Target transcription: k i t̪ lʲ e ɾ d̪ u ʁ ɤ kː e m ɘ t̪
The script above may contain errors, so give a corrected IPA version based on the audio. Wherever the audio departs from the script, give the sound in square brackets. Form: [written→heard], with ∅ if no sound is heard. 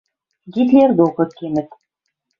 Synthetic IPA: [k→ɡ] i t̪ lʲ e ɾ d̪ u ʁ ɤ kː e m ɘ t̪